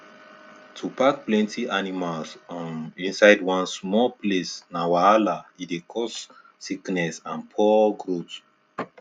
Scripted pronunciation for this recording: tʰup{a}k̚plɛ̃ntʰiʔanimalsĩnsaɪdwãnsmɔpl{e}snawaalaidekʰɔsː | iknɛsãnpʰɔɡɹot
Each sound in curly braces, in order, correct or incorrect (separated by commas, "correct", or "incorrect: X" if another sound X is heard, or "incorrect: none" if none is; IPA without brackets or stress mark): correct, correct